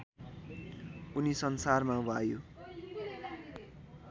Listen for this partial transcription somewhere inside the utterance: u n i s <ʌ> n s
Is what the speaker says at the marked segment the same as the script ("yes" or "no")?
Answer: yes